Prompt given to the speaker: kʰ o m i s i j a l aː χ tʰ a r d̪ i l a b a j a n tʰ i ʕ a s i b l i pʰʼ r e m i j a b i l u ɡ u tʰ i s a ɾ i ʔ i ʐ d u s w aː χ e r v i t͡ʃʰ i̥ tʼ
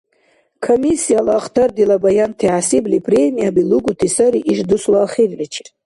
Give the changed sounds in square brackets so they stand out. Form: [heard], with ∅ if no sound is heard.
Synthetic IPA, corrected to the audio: kʰ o m i s i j a l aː χ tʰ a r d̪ i l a b a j a n tʰ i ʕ a s i b l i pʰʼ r e m i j a b i l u ɡ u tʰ i s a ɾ i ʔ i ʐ d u s w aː χ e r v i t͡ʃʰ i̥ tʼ